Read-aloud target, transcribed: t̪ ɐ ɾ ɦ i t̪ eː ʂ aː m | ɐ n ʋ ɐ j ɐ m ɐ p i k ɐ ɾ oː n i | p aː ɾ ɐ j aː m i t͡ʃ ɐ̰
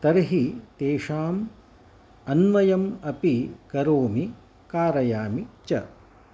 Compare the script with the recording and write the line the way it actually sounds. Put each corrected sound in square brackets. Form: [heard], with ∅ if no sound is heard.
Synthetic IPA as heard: t̪ ɐ ɾ ɦ i t̪ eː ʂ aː m | ɐ n ʋ ɐ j ɐ m ɐ p i k ɐ ɾ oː [m] i | [k] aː ɾ ɐ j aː m i t͡ʃ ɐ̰